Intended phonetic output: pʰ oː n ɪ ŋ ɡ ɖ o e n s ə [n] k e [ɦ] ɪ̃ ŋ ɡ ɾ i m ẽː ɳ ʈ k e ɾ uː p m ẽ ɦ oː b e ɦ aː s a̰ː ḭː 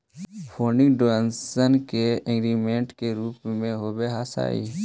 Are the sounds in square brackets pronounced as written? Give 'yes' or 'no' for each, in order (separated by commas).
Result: yes, no